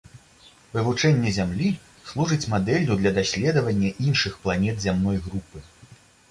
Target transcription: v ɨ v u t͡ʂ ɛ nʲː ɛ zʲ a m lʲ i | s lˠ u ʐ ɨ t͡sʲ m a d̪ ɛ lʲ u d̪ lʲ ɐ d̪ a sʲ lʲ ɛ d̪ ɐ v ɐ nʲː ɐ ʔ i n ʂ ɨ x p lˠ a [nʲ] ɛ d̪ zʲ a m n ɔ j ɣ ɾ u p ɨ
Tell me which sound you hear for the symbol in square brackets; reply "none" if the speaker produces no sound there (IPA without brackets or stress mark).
nʲ